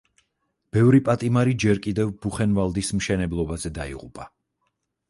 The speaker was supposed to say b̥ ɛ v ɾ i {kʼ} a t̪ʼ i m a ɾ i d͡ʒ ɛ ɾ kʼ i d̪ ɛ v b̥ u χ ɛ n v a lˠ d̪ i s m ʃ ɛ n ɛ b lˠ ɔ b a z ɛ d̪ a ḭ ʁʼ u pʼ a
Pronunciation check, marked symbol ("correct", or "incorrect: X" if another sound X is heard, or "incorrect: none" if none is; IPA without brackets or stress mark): incorrect: pʼ